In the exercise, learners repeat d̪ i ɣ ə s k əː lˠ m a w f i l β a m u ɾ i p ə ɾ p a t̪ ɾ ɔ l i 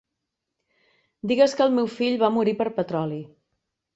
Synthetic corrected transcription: d̪ i ɣ ə s k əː lˠ m e w f i ʎ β a m u ɾ i p ə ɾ p ə t̪ ɾ ɔ l i